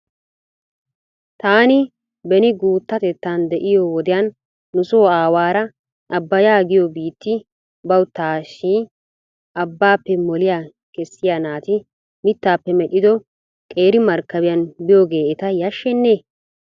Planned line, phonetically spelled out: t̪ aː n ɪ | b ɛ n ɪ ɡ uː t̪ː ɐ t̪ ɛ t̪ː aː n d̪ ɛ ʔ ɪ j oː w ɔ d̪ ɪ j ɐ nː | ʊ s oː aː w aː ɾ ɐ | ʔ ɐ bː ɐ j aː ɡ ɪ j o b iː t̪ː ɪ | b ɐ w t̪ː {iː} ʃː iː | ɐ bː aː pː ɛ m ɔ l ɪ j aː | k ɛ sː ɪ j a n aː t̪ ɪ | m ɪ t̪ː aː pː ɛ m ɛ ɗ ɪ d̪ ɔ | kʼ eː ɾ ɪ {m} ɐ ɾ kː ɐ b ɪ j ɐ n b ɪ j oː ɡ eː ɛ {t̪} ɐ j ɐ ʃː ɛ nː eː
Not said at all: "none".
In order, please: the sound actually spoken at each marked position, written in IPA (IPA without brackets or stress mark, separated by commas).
aː, m, t̪